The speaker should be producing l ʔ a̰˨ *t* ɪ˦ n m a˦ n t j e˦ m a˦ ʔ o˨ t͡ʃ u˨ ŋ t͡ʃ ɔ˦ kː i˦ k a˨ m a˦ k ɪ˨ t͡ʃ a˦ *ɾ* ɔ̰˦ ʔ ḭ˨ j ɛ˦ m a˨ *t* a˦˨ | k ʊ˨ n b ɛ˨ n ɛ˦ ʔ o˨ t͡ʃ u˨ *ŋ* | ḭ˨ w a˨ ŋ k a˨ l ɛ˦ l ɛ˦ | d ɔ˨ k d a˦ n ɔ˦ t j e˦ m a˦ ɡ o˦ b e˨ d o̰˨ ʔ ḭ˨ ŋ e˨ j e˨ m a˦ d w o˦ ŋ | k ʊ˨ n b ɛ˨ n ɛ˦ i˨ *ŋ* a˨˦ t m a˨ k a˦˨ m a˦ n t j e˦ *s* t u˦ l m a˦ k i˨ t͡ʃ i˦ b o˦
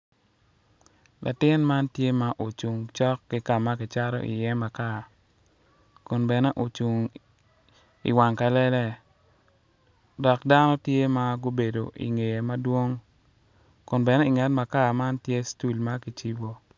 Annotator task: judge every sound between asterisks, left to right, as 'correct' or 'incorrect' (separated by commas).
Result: correct, correct, incorrect, correct, correct, correct